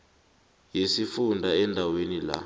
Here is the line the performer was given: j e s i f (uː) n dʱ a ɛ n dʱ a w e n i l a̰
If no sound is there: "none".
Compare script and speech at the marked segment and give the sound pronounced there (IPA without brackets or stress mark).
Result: u